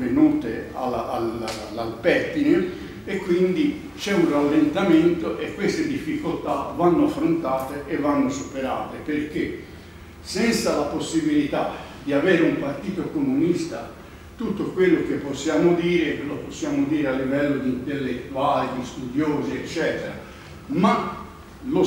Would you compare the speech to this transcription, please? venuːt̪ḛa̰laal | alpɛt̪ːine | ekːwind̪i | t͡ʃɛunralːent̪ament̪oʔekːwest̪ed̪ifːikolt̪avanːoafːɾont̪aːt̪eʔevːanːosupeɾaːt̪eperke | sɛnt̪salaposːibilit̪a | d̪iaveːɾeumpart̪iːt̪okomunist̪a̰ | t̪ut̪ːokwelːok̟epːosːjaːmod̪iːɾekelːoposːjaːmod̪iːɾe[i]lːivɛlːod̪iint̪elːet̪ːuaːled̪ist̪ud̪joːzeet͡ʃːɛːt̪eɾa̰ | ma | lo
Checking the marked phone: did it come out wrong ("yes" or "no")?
yes